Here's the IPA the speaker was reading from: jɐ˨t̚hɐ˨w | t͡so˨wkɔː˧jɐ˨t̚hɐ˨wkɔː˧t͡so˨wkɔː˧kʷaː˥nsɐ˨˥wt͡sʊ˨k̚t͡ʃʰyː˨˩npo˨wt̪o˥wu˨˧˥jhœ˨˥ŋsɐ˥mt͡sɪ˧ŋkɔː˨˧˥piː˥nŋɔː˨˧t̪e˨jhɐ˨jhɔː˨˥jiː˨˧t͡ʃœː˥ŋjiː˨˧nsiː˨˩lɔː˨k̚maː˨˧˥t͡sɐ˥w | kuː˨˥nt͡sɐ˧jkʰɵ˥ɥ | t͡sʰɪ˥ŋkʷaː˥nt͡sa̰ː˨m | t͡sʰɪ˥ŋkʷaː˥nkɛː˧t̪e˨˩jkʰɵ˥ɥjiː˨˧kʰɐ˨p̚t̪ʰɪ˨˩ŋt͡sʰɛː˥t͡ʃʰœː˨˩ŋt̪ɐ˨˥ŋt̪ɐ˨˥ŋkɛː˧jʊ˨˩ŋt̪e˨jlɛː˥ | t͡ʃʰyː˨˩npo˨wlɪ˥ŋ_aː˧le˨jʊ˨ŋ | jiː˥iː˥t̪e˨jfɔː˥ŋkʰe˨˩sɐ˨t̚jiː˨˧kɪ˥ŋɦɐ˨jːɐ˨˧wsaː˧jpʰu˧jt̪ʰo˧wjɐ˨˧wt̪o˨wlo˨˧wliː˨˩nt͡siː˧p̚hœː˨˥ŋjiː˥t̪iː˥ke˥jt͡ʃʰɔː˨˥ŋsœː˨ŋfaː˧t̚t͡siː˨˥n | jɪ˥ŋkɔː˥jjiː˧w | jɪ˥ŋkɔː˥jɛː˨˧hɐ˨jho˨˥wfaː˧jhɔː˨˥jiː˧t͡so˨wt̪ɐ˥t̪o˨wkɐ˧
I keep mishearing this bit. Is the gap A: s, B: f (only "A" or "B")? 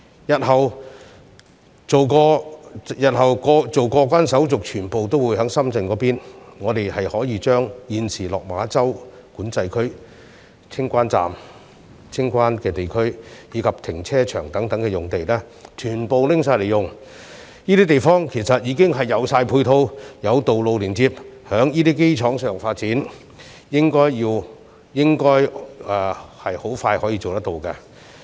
A